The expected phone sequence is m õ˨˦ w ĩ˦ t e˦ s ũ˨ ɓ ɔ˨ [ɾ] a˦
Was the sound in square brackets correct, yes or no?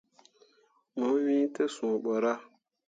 yes